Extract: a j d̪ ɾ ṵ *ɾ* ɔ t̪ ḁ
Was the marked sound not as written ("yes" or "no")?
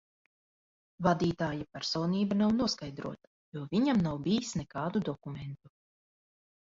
yes